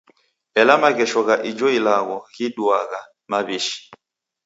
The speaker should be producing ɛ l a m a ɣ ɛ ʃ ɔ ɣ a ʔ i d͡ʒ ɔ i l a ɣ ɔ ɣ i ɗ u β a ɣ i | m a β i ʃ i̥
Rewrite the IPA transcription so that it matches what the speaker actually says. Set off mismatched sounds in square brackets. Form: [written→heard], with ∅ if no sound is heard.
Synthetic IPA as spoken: ɛ l a m a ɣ ɛ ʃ ɔ ɣ a ʔ i d͡ʒ ɔ i l a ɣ ɔ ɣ i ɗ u [β→∅] a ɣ [i→a] | m a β i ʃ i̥